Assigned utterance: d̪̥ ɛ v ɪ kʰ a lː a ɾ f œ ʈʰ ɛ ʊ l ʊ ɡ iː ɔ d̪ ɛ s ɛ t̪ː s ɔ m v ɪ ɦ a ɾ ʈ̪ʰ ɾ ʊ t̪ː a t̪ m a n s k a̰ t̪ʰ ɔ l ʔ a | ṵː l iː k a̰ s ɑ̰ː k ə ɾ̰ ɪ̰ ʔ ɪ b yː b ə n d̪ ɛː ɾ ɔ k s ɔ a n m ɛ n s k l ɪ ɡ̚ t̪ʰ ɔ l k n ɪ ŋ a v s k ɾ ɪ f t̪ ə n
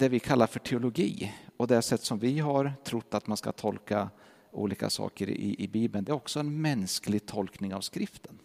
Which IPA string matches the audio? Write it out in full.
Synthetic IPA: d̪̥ ɛ v ɪ kʰ a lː a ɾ f œ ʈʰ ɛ ʊ l ʊ ɡ iː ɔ d̪ ɛ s ɛ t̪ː s ɔ m v ɪ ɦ a ɾ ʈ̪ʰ ɾ ʊ t̪ː a t̪ m a n s k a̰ t̪ʰ ɔ l k a | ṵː l iː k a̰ s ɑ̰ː k ə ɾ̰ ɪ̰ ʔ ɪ b iː b ə n d̪ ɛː ɾ ɔ k s ɔ ɛ n m ɛ n s k l ɪ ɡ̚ t̪ʰ ɔ l k n ɪ ŋ a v s k ɾ ɪ f t̪ ə n